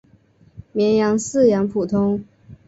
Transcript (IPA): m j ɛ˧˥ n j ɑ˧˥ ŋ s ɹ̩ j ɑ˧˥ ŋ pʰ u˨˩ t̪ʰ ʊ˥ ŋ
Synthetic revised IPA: m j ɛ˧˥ n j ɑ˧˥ ŋ s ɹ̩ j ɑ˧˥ ŋ pʰ u˨˩ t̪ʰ ʊ˥ ŋ